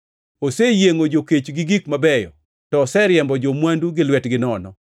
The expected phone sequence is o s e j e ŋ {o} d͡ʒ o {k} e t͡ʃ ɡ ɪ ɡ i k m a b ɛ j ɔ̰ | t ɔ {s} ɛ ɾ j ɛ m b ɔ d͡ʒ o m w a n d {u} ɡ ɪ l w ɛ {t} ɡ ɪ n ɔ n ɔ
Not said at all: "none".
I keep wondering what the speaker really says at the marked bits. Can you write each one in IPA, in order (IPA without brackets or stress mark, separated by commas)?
o, k, s, u, t